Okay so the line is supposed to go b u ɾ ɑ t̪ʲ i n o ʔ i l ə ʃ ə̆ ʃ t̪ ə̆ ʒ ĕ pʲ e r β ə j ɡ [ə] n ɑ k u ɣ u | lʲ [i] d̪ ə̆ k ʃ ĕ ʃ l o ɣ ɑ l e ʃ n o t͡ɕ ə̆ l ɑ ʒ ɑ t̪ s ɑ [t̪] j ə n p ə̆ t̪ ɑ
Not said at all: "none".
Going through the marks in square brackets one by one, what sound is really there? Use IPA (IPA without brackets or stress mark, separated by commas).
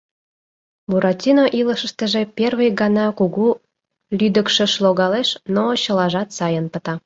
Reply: ɑ, y, none